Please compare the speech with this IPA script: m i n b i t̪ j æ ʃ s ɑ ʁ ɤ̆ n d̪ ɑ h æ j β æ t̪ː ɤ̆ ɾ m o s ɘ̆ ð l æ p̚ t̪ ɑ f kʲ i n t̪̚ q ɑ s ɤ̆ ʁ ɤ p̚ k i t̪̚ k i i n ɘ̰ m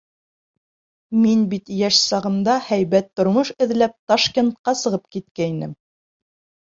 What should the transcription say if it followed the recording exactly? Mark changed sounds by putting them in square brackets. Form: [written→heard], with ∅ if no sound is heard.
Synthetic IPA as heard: m i n b i t̪ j æ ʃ s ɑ ʁ ɤ̆ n d̪ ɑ h æ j β æ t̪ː [ɤ̆→ŏ] ɾ m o [s→ʃ] ɘ̆ ð l æ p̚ t̪ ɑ [f→ʃ] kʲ [i→e] n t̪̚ q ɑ s ɤ̆ ʁ ɤ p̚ k i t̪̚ k [i→æ] i n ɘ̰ m